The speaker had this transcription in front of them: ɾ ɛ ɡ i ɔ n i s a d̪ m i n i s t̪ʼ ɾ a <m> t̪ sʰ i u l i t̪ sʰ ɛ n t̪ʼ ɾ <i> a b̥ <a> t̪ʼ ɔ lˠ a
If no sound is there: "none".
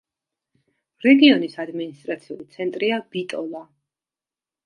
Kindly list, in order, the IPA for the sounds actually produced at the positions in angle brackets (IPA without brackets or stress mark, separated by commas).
none, i, i